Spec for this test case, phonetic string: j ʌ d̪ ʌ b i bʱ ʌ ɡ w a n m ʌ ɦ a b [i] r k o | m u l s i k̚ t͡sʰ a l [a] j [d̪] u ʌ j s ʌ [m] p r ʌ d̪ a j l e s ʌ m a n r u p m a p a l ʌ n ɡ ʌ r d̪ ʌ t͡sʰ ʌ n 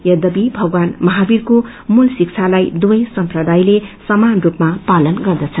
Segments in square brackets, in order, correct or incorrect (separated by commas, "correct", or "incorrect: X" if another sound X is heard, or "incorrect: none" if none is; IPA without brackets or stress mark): correct, correct, correct, correct